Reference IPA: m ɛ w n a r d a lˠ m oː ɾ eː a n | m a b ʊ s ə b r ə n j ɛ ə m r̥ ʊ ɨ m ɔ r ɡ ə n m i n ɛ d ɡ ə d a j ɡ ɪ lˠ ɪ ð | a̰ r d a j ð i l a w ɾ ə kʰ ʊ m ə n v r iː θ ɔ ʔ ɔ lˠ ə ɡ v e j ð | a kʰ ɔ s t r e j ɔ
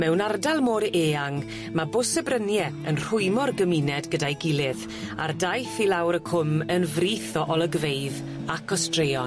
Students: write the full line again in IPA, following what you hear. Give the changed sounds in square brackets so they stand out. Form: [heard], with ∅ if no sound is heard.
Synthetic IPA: m ɛ w n a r d a lˠ m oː ɾ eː a [ŋ] | m a b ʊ s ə b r ə n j ɛ ə [n] r̥ ʊ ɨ m ɔ r ɡ ə [∅] m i n ɛ d ɡ ə d a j ɡ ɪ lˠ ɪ ð | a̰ r d a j [θ] i l a w ɾ ə kʰ ʊ m ə n v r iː θ ɔ ʔ ɔ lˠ ə ɡ v e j ð | a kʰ ɔ s t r e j ɔ

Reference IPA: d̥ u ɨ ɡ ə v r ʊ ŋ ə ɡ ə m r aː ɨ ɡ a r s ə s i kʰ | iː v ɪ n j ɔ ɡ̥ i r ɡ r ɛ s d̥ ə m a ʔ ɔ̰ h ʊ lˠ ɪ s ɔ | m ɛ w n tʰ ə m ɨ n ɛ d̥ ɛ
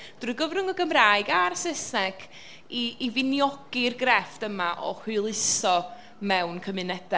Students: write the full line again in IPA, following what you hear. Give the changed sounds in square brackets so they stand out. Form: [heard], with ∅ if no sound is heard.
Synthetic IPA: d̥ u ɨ ɡ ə v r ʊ ŋ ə ɡ ə m r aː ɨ ɡ a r s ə s [ɛ] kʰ | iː v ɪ n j ɔ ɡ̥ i r ɡ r ɛ [f] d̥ ə m a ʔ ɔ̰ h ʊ lˠ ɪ s ɔ | m ɛ w n [kʰ] ə m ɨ n ɛ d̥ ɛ

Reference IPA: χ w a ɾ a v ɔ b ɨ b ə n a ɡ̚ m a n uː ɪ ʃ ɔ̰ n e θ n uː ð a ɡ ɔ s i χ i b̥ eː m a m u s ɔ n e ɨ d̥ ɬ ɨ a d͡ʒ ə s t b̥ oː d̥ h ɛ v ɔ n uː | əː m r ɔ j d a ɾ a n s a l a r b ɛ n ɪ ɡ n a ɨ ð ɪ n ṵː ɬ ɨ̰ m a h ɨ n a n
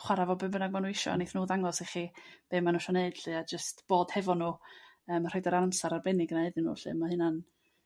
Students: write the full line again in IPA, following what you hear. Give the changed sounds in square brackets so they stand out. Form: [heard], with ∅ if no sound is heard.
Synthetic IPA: χ w a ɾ a v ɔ b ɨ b ə n a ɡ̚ m a n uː ɪ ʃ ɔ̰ n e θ n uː ð a [ŋ] ɔ s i χ i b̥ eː m a [n] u [ʃ] ɔ n e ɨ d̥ ɬ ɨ a d͡ʒ ə s t b̥ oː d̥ h ɛ v ɔ n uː | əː m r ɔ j d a ɾ a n s a [ɾ] a r b ɛ n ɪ ɡ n a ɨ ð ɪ n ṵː ɬ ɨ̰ m a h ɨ n a n

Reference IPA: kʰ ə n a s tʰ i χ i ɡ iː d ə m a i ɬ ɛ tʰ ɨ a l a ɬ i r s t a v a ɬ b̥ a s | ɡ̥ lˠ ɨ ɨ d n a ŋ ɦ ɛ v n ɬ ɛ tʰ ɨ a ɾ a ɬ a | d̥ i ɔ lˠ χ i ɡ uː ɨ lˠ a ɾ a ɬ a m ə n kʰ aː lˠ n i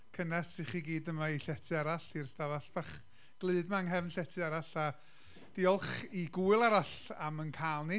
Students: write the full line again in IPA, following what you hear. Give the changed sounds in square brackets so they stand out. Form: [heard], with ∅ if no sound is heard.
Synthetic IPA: kʰ ə n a s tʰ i χ i ɡ iː d ə m a i ɬ ɛ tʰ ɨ a [ɾ] a ɬ i r s t a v a ɬ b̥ a [χ] | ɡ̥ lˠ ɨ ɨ d [m] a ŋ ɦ ɛ v n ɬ ɛ tʰ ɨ a ɾ a ɬ a | d̥ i ɔ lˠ χ i ɡ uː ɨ lˠ a ɾ a ɬ a m ə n kʰ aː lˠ n i

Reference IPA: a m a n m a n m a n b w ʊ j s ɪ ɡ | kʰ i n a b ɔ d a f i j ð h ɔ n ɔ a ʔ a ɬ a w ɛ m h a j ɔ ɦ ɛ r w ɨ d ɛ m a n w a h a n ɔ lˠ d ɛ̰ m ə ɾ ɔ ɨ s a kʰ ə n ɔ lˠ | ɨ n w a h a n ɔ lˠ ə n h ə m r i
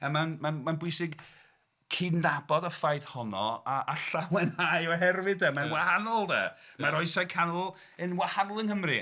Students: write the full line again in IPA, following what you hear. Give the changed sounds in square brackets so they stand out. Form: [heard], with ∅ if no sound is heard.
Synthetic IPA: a m a n m a n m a n b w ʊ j s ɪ ɡ | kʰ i n a b ɔ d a f [a] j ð h ɔ n ɔ a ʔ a ɬ a w ɛ [n] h a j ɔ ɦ ɛ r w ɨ d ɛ m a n w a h a n ɔ lˠ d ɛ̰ m [a] ɾ ɔ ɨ s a kʰ [a] n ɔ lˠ | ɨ n w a h a n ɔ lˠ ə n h ə m r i

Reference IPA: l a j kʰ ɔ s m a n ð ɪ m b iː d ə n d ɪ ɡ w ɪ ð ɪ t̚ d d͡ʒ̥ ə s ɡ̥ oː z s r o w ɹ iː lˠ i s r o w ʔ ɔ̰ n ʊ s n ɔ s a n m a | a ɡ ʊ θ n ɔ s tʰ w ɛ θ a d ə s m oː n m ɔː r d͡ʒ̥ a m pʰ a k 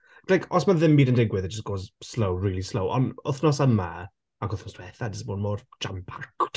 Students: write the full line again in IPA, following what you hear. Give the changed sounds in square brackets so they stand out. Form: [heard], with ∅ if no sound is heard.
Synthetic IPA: l a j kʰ ɔ s m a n ð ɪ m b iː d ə n d ɪ ɡ w ɪ ð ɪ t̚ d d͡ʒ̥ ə s ɡ̥ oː z s [l] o w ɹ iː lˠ i s [l] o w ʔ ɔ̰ n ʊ [θ] n ɔ s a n m a | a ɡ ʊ θ n ɔ s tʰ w ɛ θ a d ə s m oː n m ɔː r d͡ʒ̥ a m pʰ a k

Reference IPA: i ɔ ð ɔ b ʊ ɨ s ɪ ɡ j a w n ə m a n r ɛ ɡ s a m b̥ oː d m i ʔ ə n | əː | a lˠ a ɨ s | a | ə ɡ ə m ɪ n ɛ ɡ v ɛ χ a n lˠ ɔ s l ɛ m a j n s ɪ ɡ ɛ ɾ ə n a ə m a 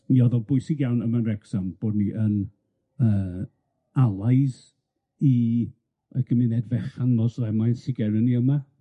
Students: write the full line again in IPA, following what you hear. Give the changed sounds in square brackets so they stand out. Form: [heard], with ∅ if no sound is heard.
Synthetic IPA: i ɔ ð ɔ b ʊ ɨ s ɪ ɡ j a w n ə m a n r ɛ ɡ s a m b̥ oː d [n] i ʔ ə n | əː | a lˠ a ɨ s | [i] | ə ɡ ə m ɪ n ɛ [d] v ɛ χ a n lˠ ɔ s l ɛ m a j n s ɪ ɡ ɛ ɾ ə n [i] ə m a

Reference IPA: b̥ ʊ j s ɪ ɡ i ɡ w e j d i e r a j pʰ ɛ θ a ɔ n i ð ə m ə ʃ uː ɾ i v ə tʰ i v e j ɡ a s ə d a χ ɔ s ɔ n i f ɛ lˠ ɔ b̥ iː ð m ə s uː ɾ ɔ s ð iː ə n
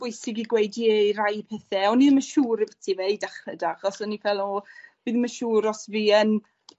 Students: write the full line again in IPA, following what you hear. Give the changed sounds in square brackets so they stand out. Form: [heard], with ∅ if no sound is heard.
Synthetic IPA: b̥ ʊ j s ɪ ɡ i ɡ w e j d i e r a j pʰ ɛ θ [ɛ] ɔ n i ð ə m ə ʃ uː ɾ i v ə tʰ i v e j [d] a [χ] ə d a χ ɔ s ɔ n i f ɛ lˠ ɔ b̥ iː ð m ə [ʃ] uː ɾ ɔ s [v] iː ə n

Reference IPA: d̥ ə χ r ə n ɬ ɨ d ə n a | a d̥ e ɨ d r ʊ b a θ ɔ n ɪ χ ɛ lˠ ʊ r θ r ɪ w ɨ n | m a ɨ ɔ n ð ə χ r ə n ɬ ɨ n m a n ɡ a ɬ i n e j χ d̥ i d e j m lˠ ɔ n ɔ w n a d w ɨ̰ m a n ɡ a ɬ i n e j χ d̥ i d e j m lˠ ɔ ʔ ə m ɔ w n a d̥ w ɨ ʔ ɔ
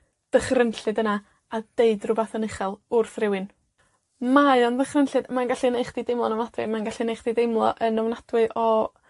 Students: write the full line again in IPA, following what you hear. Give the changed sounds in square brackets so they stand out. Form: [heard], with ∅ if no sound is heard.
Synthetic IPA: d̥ ə χ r ə n ɬ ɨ d ə n a | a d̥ e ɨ d r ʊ b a θ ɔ n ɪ χ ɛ lˠ ʊ r θ r ɪ w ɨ n | m a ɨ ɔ n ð ə χ r ə n ɬ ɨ [d] m a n ɡ a ɬ i n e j χ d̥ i d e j m lˠ ɔ n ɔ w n a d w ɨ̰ m a n ɡ a ɬ i n e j χ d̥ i d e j m lˠ ɔ ʔ ə [n] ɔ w n a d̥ w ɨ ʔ ɔ

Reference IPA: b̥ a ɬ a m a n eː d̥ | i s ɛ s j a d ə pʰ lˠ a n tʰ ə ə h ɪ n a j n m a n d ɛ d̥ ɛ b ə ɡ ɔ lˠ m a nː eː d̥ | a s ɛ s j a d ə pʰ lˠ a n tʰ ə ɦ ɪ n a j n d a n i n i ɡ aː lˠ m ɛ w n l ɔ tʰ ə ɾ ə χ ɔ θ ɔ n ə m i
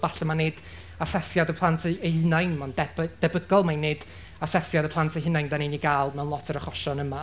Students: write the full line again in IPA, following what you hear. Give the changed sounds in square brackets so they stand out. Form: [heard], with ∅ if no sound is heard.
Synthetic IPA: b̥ a ɬ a m a n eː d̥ | [a] s ɛ s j a d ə pʰ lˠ a n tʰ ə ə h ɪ n a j n m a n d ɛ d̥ ɛ b ə ɡ ɔ lˠ m a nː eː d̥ | a s ɛ s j a d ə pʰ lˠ a n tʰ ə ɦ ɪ n a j n d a n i n i ɡ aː lˠ m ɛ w n l ɔ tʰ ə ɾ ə χ ɔ [ʃ] ɔ n ə m [a]

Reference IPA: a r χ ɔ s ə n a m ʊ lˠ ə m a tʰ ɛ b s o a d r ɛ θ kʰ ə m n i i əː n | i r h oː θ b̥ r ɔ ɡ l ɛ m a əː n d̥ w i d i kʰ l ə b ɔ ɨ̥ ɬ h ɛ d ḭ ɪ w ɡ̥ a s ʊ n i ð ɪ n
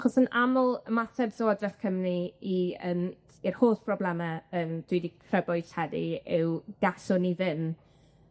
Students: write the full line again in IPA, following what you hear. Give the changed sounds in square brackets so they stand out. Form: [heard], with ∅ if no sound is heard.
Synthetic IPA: a [∅] χ ɔ s ə n a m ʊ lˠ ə m a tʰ ɛ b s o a d r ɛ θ kʰ ə m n i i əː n | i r h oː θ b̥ r ɔ [b] l ɛ m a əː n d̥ w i d i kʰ [r] ə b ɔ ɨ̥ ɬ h ɛ d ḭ ɪ w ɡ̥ a s ʊ n i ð ɪ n

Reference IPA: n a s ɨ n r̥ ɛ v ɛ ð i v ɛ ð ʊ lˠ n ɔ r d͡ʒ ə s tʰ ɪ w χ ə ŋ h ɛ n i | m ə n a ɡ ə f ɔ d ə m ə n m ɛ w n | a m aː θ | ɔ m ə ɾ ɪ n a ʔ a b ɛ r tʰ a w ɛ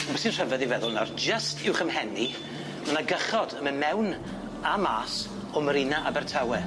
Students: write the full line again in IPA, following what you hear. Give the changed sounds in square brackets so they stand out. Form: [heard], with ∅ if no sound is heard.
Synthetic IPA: [m] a s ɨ n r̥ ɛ v ɛ ð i v ɛ ð ʊ lˠ n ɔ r d͡ʒ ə s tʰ ɪ w χ ə [m] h ɛ n i | m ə n a ɡ ə [χ] ɔ d ə m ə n m ɛ w n | a m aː [s] | ɔ m ə ɾ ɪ n a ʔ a b ɛ r tʰ a w ɛ

